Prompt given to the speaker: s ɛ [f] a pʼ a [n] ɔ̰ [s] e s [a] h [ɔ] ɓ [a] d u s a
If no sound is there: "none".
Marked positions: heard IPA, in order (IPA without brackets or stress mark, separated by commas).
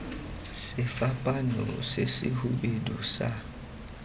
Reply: f, n, s, i, u, e